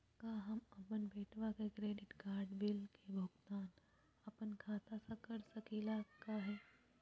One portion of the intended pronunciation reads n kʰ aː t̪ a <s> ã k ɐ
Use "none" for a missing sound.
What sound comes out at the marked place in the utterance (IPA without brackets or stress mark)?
s